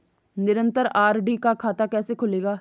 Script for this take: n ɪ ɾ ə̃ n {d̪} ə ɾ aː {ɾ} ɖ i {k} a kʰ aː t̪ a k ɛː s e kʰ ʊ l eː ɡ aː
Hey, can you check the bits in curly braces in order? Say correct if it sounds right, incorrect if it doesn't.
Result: incorrect: t̪, correct, correct

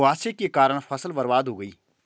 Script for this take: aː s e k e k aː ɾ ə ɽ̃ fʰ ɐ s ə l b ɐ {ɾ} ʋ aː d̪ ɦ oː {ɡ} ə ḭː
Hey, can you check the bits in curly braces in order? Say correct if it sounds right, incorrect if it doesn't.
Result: correct, correct

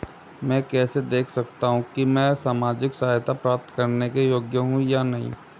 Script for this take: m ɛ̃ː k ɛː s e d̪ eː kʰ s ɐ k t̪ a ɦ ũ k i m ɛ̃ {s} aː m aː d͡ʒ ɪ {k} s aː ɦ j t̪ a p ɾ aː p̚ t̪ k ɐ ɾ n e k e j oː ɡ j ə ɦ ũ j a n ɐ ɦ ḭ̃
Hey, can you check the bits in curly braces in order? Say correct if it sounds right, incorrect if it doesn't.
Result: correct, correct

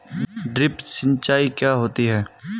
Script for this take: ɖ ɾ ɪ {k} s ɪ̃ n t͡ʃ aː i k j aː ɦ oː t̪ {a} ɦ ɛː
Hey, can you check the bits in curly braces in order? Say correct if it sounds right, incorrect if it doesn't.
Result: incorrect: p, incorrect: i

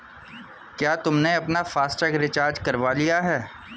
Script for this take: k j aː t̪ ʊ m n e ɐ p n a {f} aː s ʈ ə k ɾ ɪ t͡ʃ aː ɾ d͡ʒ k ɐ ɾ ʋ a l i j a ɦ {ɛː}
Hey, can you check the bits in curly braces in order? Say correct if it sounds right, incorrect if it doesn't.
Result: correct, correct

